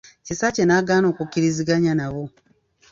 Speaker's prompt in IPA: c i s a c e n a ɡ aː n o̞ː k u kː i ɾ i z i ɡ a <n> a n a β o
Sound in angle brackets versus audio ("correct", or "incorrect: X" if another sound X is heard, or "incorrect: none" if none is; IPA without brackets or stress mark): incorrect: ɲ